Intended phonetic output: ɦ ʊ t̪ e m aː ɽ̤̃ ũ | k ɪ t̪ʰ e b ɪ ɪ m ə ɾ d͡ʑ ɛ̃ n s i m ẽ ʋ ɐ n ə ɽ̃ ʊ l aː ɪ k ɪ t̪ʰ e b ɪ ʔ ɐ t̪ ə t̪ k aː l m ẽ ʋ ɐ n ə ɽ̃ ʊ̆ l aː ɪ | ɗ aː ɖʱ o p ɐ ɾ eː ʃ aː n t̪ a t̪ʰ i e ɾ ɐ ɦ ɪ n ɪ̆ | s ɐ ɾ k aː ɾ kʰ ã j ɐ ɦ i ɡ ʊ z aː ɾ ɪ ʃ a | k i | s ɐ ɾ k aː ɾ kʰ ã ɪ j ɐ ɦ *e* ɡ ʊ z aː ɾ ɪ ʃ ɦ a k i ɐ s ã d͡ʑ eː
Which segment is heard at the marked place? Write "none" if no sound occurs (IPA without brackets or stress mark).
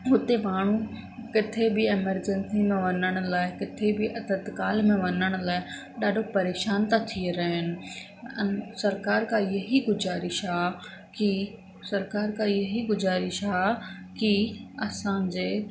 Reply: i